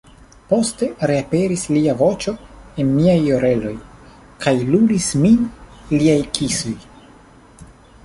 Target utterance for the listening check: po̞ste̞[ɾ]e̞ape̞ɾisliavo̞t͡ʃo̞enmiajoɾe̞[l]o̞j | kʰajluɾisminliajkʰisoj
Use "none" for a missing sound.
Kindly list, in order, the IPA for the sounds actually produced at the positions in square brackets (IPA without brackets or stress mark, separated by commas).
ɾ, l